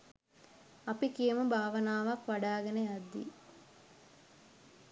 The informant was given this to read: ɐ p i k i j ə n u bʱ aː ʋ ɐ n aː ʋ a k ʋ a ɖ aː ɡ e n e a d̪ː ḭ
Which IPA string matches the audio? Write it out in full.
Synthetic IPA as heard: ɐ p i k i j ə m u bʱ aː ʋ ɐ n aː ʋ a k ʋ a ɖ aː ɡ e n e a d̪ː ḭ